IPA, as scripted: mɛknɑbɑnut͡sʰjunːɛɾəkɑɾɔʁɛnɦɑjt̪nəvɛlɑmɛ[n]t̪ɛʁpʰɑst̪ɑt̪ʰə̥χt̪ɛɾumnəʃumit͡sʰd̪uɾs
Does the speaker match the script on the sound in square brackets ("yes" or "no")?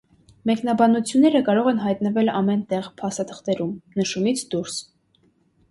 yes